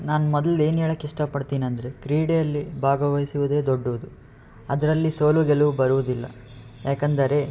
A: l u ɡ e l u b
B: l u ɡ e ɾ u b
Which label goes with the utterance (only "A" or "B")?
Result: A